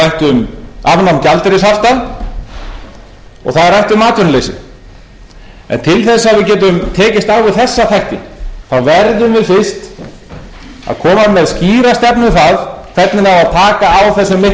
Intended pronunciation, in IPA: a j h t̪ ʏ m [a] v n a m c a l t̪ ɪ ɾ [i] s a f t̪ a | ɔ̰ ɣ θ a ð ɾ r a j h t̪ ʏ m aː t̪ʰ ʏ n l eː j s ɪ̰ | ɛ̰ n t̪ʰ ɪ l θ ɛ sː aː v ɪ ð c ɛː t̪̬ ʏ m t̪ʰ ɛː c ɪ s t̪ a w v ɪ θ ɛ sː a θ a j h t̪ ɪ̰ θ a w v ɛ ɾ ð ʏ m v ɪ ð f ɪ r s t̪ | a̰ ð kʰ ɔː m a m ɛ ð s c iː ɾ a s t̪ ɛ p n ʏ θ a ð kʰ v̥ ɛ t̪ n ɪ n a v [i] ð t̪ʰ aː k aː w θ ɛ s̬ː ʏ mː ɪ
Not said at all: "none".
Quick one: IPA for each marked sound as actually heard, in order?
a, ɪ, a

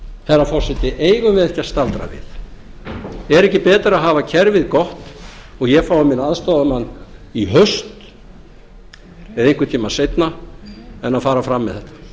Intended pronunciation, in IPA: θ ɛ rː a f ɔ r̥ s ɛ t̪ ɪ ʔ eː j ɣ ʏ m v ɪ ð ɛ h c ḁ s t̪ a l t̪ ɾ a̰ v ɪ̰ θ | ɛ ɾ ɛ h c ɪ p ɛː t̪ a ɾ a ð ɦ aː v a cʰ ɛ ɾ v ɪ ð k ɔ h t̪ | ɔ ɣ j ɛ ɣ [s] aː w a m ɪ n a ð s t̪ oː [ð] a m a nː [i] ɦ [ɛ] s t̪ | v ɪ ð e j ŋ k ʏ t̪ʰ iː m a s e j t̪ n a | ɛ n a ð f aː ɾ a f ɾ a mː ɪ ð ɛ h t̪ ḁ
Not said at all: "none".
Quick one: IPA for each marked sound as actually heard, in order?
f, ð, i, œ

